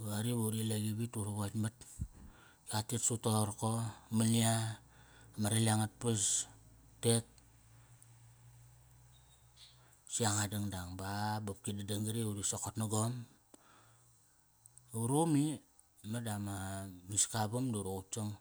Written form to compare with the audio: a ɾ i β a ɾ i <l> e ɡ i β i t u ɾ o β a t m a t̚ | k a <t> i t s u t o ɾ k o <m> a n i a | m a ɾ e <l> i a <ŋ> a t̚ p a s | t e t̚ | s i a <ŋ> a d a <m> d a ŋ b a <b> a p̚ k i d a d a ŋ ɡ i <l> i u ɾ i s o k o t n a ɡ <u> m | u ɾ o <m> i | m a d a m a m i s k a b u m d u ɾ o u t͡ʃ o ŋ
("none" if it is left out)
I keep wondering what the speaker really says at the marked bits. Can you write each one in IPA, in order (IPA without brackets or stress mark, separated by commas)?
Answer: l, t, m, l, ŋ, ŋ, ŋ, b, ɾ, o, m